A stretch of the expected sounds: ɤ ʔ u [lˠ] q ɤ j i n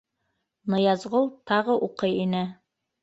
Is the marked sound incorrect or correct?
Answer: incorrect